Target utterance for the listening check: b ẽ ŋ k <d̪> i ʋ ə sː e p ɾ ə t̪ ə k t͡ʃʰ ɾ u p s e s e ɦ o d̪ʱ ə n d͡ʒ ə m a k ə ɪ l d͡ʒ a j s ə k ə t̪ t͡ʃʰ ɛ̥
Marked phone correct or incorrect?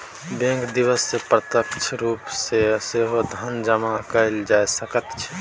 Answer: correct